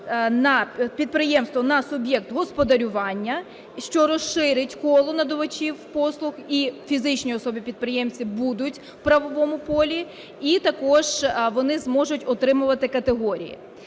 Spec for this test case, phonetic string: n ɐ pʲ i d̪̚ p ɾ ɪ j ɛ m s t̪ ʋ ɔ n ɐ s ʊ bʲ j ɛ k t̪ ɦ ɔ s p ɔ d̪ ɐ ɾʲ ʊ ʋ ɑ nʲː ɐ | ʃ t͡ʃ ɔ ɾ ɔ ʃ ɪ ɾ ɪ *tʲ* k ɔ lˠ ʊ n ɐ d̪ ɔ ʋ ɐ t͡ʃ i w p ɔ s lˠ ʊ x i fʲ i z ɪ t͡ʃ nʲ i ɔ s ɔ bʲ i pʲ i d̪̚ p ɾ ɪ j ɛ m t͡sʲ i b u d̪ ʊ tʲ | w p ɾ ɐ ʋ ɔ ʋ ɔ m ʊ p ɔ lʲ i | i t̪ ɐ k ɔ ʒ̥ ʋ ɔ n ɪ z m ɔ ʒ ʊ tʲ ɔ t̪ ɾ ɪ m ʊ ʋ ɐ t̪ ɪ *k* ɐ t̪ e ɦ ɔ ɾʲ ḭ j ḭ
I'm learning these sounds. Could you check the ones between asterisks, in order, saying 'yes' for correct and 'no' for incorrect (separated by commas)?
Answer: yes, yes